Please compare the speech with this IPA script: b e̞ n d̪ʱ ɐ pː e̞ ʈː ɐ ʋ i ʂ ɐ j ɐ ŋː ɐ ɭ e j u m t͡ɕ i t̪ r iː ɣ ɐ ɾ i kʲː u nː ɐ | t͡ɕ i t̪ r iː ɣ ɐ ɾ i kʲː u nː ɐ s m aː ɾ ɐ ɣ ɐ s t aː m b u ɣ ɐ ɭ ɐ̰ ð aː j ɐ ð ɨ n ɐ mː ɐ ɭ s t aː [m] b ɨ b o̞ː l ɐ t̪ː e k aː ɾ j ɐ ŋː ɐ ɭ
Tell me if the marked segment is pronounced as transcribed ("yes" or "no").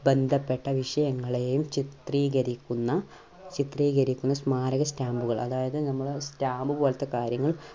yes